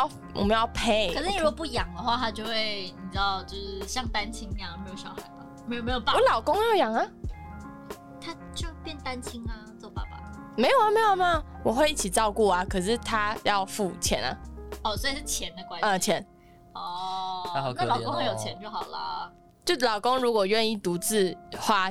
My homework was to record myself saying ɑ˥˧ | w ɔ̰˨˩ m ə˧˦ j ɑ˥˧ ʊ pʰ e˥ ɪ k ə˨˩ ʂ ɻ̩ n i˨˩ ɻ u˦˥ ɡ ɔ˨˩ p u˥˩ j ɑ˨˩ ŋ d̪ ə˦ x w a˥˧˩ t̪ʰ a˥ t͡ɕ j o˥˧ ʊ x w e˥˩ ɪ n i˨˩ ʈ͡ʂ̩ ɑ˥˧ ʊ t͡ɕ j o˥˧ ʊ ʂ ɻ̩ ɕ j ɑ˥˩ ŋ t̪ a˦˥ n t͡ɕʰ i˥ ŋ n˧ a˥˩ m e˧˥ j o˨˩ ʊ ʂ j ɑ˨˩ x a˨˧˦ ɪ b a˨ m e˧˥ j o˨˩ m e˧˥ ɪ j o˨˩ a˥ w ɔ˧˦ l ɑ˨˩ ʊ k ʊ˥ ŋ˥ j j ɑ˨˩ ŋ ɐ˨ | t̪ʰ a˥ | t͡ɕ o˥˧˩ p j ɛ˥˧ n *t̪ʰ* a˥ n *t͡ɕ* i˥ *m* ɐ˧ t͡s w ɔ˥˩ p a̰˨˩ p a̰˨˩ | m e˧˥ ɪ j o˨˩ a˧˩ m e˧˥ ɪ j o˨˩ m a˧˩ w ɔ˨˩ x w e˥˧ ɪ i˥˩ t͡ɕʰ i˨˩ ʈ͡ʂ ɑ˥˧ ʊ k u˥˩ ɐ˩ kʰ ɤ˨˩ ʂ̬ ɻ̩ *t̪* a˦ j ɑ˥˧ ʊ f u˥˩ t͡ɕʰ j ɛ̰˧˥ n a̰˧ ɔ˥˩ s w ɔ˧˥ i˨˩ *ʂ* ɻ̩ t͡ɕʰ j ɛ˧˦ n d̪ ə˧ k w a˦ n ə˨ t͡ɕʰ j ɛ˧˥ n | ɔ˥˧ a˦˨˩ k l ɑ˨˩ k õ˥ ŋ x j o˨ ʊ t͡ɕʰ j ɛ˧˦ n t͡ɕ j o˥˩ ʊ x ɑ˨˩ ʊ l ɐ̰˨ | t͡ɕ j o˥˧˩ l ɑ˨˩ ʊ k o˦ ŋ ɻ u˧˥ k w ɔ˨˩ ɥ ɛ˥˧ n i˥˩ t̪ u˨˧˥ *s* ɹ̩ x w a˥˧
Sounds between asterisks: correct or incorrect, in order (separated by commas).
incorrect, incorrect, incorrect, incorrect, correct, incorrect